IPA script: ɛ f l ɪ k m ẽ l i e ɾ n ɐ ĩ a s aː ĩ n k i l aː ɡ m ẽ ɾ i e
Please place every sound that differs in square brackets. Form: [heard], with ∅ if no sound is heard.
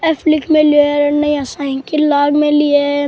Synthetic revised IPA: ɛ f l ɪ k m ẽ l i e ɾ n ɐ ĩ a s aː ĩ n k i l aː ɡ m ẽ [l] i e

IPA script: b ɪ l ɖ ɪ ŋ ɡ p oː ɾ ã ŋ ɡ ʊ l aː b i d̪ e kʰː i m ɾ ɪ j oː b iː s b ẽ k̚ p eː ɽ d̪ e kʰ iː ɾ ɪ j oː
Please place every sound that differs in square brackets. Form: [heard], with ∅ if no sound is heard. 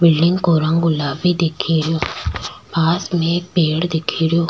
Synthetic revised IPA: b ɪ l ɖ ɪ ŋ ɡ [k] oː ɾ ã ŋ ɡ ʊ l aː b i d̪ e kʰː i [∅] ɾ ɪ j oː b [aː] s [m] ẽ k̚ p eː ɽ d̪ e kʰ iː ɾ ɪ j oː

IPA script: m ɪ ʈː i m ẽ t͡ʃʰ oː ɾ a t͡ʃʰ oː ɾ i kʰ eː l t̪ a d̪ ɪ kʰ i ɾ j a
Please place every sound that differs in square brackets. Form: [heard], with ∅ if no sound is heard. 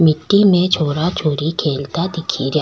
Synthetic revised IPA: m ɪ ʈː i m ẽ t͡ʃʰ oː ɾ a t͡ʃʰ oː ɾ i kʰ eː l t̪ a d̪ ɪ kʰ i ɾ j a

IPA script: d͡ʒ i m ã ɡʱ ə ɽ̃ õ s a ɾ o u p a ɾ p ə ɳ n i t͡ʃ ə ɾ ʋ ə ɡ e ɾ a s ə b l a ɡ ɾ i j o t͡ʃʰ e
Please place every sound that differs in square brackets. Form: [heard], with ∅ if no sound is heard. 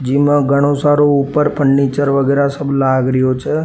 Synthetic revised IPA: d͡ʒ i m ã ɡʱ ə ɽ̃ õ s a ɾ o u p [ə] ɾ p ə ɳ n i t͡ʃ ə ɾ ʋ ə ɡ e ɾ a s ə b l a ɡ ɾ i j o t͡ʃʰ e

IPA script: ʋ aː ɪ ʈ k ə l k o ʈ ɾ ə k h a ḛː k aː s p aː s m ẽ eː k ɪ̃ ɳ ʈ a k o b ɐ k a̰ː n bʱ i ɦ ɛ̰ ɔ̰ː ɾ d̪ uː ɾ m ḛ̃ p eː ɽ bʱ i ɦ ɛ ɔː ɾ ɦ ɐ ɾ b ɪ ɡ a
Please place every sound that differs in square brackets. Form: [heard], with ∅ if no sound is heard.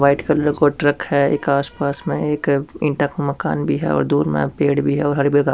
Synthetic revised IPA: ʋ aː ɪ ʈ k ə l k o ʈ ɾ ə k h [ɛ] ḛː k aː s p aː s m ẽ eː k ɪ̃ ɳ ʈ a k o [m] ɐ k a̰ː n bʱ i ɦ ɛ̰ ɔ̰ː ɾ d̪ uː ɾ m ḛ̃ p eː ɽ bʱ i ɦ ɛ ɔː ɾ ɦ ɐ ɾ b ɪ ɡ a

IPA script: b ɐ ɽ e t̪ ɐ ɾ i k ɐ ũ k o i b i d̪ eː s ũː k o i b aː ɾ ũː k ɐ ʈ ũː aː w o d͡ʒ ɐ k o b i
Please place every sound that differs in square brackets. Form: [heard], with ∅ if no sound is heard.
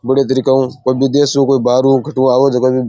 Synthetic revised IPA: b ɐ ɽ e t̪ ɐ ɾ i k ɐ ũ k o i b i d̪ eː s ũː k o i b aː ɾ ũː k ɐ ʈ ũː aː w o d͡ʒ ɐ k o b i

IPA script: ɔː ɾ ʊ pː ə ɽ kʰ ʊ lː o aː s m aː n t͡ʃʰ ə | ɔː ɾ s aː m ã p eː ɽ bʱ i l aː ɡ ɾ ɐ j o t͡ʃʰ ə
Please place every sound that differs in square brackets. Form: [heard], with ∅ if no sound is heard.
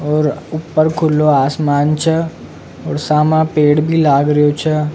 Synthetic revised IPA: ɔː ɾ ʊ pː ə [ɾ] kʰ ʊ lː o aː s m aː n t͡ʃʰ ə | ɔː ɾ s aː m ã p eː ɽ bʱ i l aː ɡ ɾ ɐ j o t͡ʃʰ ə

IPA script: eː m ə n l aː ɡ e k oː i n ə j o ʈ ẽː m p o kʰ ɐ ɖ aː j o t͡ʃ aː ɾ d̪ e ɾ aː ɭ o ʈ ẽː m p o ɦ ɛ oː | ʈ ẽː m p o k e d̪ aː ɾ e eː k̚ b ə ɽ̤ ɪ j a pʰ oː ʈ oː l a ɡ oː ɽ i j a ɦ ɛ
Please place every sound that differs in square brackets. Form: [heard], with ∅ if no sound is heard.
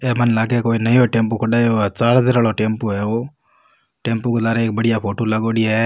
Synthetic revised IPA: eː m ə n l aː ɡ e k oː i n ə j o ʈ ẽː m p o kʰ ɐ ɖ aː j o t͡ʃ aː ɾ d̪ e ɾ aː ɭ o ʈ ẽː m p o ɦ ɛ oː | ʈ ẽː m p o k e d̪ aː ɾ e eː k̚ b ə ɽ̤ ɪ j a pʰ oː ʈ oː l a ɡ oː ɽ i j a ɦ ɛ

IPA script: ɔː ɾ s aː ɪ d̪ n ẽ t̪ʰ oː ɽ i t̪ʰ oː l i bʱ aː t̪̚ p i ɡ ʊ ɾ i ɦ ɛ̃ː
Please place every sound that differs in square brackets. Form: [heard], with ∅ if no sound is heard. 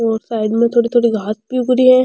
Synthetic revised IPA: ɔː ɾ s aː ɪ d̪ [m] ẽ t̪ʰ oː ɽ i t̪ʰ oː [ɽ] i [ɡʱ] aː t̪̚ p i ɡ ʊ ɾ i ɦ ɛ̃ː

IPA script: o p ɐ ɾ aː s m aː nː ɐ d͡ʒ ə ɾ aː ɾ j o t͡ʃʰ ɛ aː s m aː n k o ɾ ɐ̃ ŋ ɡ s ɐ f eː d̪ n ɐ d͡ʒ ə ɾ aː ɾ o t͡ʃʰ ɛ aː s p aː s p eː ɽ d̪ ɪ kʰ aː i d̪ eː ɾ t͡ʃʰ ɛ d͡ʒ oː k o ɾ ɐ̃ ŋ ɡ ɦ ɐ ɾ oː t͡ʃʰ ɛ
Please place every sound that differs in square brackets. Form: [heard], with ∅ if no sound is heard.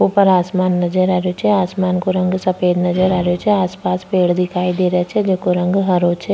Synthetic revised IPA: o p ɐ ɾ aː s m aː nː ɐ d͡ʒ ə ɾ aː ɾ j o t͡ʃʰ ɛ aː s m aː n k o ɾ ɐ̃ ŋ ɡ s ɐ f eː d̪ n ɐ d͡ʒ ə ɾ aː ɾ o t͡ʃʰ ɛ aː s p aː s p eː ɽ d̪ ɪ kʰ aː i d̪ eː ɾ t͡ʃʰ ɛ d͡ʒ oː k o ɾ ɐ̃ ŋ ɡ ɦ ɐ ɾ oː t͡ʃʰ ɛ

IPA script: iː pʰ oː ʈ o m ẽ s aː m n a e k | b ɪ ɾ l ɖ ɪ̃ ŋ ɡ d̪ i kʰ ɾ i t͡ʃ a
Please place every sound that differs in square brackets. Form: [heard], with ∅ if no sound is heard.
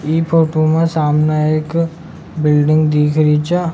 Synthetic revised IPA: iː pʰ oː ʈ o m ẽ s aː m n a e k | b ɪ [∅] l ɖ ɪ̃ ŋ ɡ d̪ [iː] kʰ ɾ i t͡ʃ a

